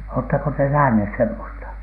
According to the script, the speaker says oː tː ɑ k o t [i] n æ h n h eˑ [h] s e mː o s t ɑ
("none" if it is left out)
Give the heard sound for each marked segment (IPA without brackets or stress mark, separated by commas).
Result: e, s